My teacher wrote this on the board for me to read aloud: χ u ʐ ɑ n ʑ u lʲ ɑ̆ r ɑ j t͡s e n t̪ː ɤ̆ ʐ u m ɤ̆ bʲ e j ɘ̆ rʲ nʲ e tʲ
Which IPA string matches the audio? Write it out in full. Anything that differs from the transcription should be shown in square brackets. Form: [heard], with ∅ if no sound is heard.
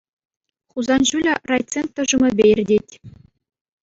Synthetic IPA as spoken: χ u [z] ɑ n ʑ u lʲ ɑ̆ r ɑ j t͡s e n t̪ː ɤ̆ ʐ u m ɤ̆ bʲ e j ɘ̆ rʲ [dʲ] e tʲ